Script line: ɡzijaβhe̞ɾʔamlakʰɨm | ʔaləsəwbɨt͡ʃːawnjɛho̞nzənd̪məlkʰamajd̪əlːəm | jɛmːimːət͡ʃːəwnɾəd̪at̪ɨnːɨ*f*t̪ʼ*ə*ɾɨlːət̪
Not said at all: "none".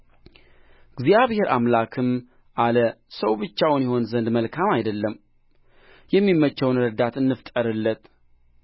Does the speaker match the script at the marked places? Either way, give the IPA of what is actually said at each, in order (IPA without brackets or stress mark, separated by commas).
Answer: f, ə